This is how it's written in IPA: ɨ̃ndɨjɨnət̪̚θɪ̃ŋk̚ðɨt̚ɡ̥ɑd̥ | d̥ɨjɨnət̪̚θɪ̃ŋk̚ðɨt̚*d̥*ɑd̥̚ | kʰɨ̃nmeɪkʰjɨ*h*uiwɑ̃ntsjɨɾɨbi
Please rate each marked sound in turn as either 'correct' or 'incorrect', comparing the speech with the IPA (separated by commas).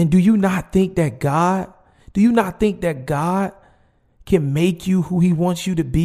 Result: incorrect, correct